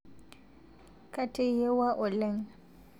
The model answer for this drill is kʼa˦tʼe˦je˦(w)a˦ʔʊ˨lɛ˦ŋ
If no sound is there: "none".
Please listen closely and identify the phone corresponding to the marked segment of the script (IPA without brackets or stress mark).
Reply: w